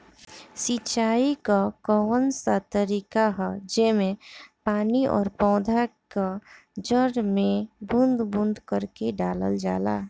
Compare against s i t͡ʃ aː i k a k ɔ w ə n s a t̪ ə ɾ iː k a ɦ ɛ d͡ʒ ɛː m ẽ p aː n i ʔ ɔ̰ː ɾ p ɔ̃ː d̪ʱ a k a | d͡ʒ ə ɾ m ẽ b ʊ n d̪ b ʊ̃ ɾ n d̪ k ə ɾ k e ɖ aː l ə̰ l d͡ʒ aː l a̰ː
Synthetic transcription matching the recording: s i t͡ʃ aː i k a k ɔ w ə n s a t̪ ə ɾ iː k a ɦ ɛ d͡ʒ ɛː m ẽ p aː n i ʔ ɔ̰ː ɾ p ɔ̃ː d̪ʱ a k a | d͡ʒ ə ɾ m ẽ b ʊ n d̪ b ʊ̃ n d̪ k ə ɾ k e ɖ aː l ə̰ l d͡ʒ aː l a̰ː